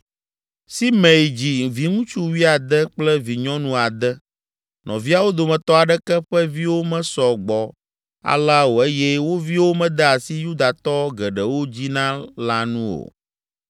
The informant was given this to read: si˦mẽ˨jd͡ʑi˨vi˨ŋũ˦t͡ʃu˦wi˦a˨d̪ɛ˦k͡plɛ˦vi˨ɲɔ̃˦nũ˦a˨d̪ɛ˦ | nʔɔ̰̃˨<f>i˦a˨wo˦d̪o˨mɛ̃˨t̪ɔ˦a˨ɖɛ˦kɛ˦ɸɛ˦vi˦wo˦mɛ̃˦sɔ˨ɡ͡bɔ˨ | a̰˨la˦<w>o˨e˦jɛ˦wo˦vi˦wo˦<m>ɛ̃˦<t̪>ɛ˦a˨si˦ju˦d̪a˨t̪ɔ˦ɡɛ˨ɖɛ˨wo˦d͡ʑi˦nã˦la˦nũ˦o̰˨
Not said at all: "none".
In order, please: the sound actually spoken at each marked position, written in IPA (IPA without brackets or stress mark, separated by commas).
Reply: v, w, m, d̪